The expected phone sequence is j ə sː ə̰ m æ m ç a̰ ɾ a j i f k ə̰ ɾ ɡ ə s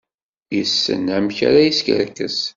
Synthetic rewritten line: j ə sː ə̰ n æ m ç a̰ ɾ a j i s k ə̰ ɾ k ə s

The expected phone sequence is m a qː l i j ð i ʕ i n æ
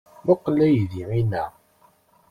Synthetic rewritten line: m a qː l æ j ð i ʕ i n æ

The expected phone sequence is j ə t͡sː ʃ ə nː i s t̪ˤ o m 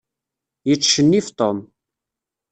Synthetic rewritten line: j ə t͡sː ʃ ə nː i f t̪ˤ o m

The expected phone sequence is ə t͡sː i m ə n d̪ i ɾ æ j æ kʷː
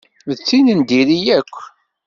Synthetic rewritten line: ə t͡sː i n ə n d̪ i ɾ i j æ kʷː

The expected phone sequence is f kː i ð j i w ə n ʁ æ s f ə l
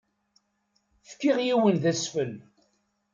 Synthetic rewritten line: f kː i ʁ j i w ə n ð æ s f ə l

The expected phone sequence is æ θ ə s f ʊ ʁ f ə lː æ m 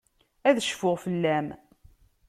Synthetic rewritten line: æ ð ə ʃ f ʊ ʁ f ə lː æ m

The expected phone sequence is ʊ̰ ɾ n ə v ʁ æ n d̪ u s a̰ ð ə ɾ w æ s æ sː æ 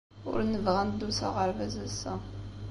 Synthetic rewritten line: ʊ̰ ɾ n ə v ʁ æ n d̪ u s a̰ ʁ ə ɾ v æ z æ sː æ

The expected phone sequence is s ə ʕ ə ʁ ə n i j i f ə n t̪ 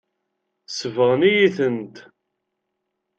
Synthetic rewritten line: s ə v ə ʁ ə n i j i θ ə n t̪

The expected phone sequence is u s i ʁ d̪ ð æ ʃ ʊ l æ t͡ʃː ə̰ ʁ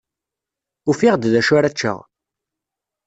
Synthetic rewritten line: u f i ʁ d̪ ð æ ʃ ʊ ɾ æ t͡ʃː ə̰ ʁ

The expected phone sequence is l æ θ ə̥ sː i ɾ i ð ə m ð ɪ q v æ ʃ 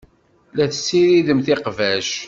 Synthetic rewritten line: l æ θ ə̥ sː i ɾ i ð ə m θ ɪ q v æ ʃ

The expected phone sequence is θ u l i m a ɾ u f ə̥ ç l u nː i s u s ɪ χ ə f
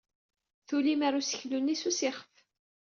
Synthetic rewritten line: θ u l i m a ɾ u s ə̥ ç l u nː i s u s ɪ χ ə f

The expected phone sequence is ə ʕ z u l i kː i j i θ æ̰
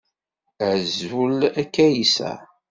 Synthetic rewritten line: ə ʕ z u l æ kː æ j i s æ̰

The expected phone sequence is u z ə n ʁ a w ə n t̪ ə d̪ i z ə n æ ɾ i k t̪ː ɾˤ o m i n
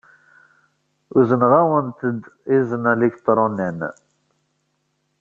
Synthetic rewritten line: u z ə n ʁ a w ə n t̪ ə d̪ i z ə n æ l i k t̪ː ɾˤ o n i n

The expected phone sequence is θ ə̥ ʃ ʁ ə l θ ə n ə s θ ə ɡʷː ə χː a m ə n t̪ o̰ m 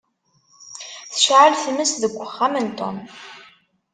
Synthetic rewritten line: θ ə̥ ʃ ʕ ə l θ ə m ə s ð ə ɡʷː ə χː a m ə n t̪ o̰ m

